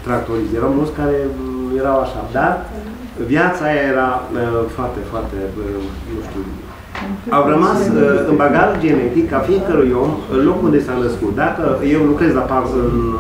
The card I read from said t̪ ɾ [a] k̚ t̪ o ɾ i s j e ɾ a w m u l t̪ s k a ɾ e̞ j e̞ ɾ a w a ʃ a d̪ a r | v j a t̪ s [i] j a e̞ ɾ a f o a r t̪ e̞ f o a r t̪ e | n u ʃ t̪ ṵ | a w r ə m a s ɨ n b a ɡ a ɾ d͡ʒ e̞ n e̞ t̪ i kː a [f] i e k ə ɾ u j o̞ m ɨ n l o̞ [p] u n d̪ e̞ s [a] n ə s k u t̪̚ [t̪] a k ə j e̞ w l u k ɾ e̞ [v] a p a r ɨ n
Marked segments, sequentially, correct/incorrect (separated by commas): correct, incorrect, correct, incorrect, correct, incorrect, incorrect